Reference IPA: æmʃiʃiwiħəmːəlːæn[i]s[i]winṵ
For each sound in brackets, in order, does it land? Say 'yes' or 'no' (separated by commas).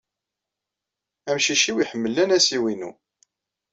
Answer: no, yes